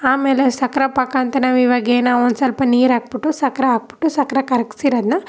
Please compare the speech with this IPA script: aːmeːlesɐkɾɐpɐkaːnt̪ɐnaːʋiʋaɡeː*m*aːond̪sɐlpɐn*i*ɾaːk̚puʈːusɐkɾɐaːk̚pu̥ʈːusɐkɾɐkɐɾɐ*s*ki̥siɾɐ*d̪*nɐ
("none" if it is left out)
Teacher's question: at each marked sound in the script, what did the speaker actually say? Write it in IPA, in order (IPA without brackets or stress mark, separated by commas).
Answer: n, iː, none, d̪